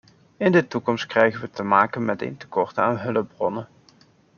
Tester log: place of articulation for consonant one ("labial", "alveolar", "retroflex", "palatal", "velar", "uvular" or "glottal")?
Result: alveolar